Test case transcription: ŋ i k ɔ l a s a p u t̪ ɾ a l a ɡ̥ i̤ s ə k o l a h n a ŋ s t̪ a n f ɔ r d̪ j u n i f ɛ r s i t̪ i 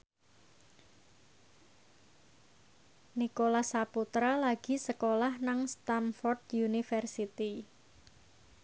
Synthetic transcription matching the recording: n i k o l a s a p u t̪ ɾ a l a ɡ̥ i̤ s ə k o l a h n a ŋ s t̪ a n f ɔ r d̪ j u n i f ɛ r s i t̪ i